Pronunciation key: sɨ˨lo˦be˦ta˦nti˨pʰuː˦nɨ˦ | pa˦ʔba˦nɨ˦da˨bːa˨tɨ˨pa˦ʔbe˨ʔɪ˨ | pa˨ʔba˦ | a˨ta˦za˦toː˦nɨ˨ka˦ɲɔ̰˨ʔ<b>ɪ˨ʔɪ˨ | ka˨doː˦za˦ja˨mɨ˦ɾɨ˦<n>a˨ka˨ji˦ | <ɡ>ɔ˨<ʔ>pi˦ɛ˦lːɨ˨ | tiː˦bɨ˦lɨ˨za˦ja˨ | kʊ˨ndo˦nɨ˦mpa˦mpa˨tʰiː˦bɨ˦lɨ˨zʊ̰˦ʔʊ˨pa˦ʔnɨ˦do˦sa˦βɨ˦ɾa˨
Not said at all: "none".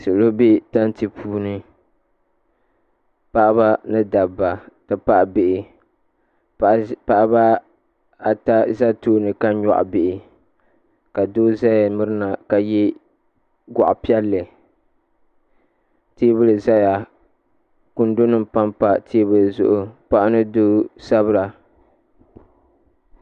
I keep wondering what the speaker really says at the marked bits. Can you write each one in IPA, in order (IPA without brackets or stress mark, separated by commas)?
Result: b, n, ɡ, ʔ